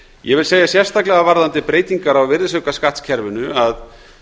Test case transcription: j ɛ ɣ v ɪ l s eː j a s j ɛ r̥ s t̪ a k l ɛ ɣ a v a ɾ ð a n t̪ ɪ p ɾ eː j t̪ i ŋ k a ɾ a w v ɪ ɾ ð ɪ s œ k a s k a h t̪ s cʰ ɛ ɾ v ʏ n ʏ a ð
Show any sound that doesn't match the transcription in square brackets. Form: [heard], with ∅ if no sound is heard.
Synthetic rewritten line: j ɛ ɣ v ɪ l s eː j a s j ɛ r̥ s t̪ a k l ɛ ɣ a v a ɾ ð a n t̪ ɪ p ɾ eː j t̪ i ŋ k a ɾ a w v ɪ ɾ ð ɪ s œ k a s k a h t̪ s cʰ ɛ ɾ v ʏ n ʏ a ð